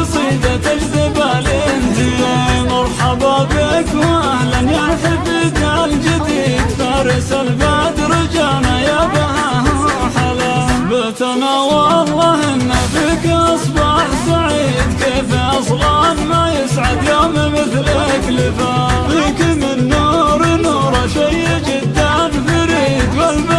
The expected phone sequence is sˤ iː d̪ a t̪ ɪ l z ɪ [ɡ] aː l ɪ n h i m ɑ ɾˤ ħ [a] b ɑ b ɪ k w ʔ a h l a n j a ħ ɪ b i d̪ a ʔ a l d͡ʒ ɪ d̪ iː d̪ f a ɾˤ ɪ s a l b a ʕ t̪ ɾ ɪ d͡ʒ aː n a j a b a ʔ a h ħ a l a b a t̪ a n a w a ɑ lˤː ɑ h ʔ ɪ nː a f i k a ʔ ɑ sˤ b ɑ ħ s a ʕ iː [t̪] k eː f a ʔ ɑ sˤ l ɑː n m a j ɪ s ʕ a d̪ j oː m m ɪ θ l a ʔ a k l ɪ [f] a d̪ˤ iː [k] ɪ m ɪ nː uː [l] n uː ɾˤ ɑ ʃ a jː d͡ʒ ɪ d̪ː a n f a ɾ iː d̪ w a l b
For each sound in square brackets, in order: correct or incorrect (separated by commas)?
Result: incorrect, incorrect, incorrect, correct, correct, incorrect